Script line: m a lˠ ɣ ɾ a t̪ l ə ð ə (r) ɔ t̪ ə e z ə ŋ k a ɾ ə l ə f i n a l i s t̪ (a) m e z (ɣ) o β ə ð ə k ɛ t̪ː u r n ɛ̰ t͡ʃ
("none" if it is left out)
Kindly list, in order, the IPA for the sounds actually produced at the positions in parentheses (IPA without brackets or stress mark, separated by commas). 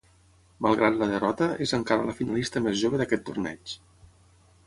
r, ə, ʒ